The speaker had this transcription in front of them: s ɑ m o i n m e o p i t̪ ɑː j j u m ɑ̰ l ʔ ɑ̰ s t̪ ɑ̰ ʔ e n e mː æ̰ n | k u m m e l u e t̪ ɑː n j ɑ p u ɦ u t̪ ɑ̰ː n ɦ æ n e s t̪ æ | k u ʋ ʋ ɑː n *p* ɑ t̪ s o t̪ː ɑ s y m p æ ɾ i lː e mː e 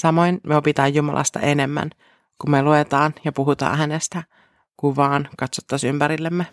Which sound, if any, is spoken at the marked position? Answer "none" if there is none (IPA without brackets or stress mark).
k